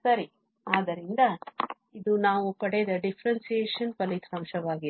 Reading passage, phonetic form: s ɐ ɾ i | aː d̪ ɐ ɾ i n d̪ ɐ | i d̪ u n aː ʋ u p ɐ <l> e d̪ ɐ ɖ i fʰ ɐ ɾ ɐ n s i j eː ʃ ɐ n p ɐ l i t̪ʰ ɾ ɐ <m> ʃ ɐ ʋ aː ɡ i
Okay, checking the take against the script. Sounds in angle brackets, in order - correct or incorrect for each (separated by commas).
incorrect, correct